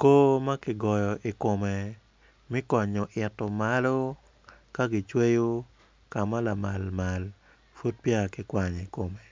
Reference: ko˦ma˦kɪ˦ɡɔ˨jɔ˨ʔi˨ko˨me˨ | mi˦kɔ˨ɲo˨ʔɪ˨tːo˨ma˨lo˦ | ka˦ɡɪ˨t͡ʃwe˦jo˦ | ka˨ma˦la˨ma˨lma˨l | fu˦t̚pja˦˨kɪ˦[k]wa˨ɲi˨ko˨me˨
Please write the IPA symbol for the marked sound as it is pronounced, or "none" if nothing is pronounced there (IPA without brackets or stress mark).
k